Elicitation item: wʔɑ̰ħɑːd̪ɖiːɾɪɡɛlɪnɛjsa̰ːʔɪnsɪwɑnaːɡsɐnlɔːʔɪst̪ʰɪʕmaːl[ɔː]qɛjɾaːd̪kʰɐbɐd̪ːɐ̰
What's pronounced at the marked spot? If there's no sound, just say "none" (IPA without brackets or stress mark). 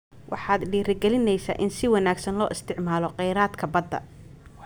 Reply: ɔ